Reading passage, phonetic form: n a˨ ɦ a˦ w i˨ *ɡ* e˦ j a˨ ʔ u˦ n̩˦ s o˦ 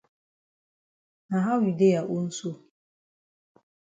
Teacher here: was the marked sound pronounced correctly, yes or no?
no